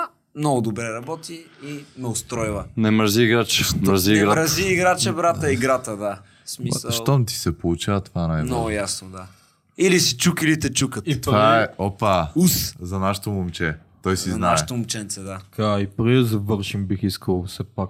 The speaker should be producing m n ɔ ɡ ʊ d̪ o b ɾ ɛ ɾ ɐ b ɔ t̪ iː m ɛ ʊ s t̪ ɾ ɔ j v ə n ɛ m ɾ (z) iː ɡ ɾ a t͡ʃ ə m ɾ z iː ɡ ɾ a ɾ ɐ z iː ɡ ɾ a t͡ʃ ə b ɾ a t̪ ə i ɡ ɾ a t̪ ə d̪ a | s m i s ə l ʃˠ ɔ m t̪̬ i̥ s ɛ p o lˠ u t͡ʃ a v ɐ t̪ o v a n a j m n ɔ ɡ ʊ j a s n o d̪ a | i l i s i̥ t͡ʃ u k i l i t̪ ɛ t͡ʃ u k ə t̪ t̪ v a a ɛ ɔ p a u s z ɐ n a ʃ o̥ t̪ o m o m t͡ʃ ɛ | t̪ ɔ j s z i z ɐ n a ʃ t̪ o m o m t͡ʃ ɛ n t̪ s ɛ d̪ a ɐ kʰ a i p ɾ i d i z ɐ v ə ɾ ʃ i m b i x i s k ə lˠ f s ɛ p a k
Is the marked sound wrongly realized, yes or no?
no